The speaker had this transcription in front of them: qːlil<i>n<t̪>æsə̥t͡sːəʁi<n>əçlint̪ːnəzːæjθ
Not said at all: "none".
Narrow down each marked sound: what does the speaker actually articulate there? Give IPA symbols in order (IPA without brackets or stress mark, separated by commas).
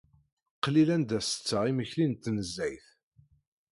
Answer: æ, d̪, m